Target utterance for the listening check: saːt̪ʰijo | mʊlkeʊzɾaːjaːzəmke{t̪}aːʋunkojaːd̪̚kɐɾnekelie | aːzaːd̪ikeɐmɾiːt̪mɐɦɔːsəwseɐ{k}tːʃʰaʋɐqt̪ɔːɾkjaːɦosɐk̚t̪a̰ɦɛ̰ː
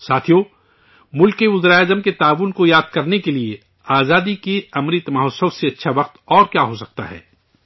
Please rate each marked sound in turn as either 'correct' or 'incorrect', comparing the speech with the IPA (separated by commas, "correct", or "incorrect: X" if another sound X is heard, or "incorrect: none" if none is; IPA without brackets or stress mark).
correct, incorrect: none